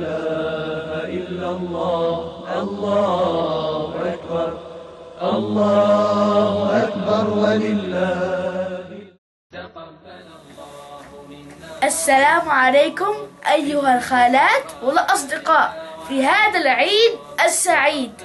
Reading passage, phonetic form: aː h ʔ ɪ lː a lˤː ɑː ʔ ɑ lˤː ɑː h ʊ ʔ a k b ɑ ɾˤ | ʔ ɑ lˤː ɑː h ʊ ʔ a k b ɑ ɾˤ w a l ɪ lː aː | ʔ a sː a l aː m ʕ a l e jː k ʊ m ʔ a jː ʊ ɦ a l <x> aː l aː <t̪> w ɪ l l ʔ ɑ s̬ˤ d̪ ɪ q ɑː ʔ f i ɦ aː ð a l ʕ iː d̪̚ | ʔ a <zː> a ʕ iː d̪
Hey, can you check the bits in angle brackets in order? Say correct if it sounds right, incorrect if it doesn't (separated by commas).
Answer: correct, correct, incorrect